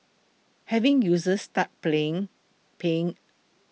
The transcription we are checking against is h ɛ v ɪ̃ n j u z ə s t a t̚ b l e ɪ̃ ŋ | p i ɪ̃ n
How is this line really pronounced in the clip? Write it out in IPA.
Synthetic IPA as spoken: h ɛ v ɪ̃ ŋ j u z ə s t a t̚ p l e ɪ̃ ŋ | p e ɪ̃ ŋ